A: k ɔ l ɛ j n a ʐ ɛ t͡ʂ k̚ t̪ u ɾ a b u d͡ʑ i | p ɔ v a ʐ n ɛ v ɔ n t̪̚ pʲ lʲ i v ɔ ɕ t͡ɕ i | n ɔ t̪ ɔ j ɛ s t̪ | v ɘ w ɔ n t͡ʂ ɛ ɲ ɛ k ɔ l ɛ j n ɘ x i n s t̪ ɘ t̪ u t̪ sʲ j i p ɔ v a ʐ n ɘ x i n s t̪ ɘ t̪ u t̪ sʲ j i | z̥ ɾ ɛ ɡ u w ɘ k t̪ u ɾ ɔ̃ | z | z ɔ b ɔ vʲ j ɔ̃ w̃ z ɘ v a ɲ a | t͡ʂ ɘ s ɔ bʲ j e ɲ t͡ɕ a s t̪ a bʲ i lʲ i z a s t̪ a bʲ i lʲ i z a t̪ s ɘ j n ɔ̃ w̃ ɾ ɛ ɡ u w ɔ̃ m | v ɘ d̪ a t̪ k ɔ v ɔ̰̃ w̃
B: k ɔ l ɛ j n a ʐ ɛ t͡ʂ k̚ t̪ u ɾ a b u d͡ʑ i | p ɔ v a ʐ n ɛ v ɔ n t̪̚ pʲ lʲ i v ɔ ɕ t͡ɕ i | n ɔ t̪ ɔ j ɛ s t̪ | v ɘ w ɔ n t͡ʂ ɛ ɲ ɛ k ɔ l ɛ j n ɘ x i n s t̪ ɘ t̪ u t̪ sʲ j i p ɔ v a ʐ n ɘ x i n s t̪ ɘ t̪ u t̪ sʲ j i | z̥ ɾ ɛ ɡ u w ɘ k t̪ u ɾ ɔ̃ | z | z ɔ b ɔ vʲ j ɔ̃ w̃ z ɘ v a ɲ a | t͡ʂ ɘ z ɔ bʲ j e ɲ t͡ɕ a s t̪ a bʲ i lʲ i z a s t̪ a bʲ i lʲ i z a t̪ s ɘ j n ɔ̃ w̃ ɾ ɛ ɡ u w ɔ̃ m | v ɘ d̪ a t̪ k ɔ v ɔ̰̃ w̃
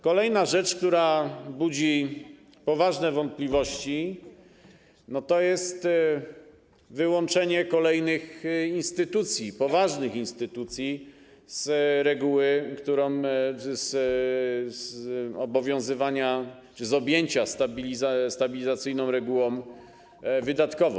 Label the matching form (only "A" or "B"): B